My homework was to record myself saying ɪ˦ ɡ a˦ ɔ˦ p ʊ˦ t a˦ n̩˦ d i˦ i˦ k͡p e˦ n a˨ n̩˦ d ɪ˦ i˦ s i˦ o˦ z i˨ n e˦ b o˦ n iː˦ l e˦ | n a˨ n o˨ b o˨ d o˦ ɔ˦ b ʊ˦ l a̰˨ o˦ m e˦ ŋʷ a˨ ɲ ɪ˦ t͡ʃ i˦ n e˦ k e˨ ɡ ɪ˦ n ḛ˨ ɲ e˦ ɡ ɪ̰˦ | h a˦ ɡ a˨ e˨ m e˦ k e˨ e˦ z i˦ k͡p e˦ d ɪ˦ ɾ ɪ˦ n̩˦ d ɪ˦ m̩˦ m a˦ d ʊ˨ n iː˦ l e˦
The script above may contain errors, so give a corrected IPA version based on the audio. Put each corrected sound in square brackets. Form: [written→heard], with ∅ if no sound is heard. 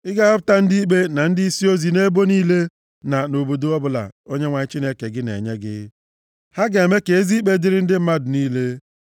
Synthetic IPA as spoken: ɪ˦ ɡ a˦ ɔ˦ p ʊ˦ t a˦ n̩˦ d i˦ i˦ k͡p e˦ n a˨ n̩˦ d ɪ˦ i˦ s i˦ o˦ z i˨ n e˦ b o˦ n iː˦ l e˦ | n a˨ n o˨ b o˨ d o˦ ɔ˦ b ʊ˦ l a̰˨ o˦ [m→ɲ] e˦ ŋʷ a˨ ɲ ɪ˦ t͡ʃ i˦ n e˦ k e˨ ɡ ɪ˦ n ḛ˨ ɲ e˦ ɡ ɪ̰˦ | h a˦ ɡ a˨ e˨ m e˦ k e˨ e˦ z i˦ k͡p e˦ d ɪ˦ ɾ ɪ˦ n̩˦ d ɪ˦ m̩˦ m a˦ d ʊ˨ n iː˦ l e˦